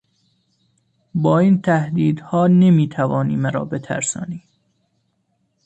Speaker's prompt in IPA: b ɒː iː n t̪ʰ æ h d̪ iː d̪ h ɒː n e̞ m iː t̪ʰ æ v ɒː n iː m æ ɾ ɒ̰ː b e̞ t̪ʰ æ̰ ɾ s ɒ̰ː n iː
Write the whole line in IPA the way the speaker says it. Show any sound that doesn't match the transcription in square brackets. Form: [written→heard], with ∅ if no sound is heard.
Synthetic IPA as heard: b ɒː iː n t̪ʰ æ h d̪ iː d̪ h ɒː n e̞ m iː t̪ʰ æ v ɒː n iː m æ ɾ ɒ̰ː b e̞ t̪ʰ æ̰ ɾ s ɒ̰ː n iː